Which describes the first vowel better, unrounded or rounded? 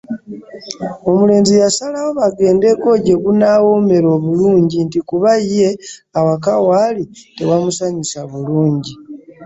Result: rounded